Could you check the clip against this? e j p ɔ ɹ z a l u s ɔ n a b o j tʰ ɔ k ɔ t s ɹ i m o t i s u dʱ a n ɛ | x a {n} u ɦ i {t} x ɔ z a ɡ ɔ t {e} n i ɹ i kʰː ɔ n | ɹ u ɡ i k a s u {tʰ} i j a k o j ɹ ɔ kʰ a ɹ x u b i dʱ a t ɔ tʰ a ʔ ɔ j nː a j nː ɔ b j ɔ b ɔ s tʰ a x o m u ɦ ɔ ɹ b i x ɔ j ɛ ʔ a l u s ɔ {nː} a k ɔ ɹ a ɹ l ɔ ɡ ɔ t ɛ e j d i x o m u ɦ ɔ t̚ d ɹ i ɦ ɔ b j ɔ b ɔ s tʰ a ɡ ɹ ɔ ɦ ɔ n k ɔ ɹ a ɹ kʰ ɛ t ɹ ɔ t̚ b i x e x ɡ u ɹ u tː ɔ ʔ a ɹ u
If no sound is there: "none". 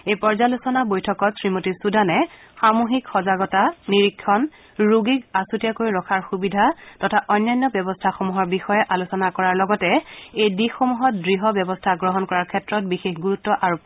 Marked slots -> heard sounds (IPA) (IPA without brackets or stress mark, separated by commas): m, k, a, t, n